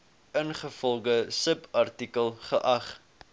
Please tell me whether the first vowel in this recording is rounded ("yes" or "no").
no